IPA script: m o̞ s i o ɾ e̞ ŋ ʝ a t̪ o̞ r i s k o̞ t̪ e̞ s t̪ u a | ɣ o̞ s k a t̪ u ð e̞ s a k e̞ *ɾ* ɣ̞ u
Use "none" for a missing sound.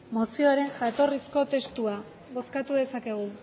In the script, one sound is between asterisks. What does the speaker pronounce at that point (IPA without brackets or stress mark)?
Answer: none